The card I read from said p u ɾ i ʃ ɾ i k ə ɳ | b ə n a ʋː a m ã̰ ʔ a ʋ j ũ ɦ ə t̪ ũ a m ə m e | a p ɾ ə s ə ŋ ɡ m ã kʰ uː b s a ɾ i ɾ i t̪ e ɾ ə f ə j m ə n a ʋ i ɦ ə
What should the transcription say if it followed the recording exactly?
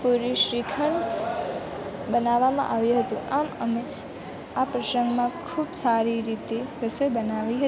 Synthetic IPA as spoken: p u ɾ i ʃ ɾ i kʰ ə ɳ | b ə n a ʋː a m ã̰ ʔ a ʋ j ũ ɦ ə t̪ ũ a m ə m e | a p ɾ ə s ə ŋ ɡ m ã kʰ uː b s a ɾ i ɾ i t̪ e ɾ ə s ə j b ə n a ʋ i ɦ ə